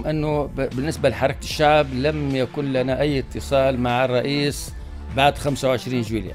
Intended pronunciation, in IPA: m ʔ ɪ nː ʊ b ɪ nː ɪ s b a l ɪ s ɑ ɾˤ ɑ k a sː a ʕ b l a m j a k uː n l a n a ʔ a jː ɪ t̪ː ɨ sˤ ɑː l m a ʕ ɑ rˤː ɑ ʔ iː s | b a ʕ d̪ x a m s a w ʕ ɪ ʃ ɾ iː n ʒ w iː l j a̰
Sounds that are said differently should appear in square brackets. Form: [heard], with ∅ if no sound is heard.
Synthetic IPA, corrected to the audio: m ʔ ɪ nː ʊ b ɪ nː ɪ s b a l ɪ [ħ] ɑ ɾˤ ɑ k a [ʃː] a ʕ b l a m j a k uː n l a n a ʔ a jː ɪ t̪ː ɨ sˤ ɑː l m a ʕ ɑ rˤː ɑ ʔ iː s | b a ʕ d̪ x a m s a w ʕ ɪ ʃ ɾ iː n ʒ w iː l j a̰